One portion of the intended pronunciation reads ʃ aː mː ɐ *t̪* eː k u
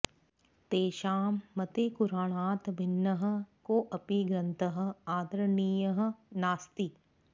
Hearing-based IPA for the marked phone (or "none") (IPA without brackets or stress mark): t̪